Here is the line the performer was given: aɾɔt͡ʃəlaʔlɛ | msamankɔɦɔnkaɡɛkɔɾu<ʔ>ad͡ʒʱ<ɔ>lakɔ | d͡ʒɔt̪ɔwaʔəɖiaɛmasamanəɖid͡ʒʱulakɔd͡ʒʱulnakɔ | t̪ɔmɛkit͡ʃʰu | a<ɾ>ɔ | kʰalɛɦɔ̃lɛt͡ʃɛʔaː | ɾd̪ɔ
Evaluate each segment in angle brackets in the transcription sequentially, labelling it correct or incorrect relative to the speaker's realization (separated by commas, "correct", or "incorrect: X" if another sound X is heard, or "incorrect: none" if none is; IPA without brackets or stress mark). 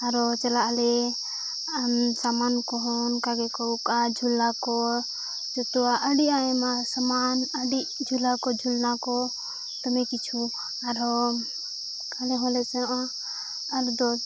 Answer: incorrect: k, incorrect: u, correct